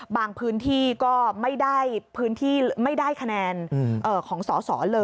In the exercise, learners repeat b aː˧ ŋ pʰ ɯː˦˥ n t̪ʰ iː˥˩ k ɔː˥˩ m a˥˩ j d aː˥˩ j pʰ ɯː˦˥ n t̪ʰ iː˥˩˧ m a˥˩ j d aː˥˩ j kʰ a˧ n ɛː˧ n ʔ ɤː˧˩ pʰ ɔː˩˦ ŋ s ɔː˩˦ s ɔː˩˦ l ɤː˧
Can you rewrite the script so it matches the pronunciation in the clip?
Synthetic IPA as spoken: b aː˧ ŋ pʰ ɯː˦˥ n t̪ʰ iː˥˩ k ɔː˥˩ m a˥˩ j d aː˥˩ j pʰ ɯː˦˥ n t̪ʰ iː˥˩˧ m a˥˩ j d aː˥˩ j kʰ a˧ n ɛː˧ n ʔ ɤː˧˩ kʰ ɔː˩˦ ŋ s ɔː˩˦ s ɔː˩˦ l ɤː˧